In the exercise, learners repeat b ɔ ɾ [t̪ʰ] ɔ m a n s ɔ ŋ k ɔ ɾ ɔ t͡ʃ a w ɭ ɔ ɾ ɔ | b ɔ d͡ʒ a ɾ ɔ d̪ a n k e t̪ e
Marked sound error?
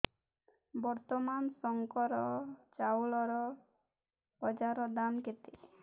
yes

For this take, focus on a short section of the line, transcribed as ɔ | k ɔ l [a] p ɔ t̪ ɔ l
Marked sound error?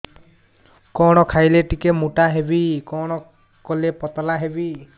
yes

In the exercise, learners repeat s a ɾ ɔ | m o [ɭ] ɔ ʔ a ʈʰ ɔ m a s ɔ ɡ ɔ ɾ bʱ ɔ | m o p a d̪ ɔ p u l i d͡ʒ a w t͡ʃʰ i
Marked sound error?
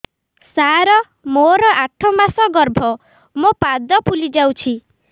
yes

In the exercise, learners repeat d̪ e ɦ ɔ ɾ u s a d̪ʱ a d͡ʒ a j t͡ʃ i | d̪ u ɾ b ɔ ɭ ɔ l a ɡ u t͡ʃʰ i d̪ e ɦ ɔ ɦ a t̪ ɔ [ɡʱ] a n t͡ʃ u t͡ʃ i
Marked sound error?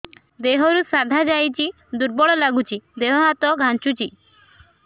no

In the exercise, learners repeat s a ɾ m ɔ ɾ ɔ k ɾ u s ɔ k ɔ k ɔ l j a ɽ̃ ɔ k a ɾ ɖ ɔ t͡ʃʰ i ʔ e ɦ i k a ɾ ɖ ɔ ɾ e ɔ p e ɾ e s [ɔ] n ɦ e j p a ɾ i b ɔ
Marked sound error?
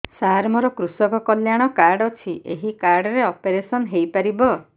no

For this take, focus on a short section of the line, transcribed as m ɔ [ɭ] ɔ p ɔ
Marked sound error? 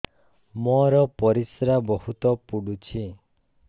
yes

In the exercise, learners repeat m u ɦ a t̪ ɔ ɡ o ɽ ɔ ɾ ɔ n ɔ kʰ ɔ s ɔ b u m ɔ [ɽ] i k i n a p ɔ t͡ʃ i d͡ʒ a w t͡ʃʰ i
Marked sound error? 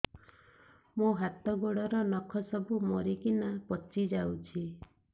yes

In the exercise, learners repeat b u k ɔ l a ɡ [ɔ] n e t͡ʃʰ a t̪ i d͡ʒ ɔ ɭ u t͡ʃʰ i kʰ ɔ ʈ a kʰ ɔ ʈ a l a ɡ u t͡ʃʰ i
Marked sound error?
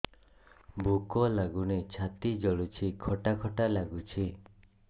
yes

